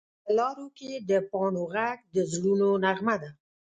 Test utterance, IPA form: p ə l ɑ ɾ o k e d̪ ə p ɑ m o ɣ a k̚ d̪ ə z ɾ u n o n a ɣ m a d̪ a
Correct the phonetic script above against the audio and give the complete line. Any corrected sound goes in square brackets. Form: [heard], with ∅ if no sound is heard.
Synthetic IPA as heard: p ə l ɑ ɾ o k e d̪ ə p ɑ [n] o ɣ a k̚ d̪ ə z [l] u n o n a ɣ m a d̪ a